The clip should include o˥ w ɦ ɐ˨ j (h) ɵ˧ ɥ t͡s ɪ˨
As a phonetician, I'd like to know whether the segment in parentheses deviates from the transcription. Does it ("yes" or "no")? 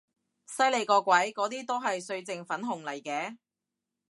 yes